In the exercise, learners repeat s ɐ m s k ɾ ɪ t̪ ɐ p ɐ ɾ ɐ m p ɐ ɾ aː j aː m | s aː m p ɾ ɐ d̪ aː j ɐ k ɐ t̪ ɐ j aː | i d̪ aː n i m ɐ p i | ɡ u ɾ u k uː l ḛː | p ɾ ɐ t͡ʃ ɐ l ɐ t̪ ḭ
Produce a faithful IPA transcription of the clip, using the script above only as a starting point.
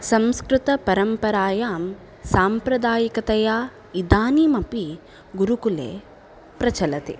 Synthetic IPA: s ɐ m s k ɾ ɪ t̪ ɐ p ɐ ɾ ɐ m p ɐ ɾ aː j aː m | s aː m p ɾ ɐ d̪ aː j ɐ k ɐ t̪ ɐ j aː | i d̪ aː n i m ɐ p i | ɡ u ɾ u k u l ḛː | p ɾ ɐ t͡ʃ ɐ l ɐ t̪ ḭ